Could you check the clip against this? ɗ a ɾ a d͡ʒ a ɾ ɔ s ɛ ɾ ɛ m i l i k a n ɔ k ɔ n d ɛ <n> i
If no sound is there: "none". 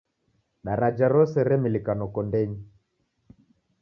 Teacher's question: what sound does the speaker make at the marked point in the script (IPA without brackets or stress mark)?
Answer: ɲ